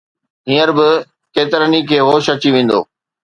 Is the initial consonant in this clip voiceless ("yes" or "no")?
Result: no